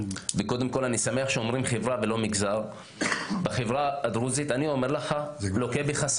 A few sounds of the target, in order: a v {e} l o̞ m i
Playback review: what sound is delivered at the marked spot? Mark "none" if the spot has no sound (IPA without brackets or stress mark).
e